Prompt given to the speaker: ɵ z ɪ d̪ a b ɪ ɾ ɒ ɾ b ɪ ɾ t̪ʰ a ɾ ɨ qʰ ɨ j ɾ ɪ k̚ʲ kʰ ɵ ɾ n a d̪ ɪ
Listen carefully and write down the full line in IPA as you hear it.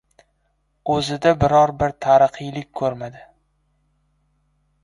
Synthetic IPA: ɵ z ɪ d̪ a b ɪ ɾ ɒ ɾ b ɪ ɾ t̪ʰ a ɾ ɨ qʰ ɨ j l ɪ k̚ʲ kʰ ɵ ɾ m a d̪ ɪ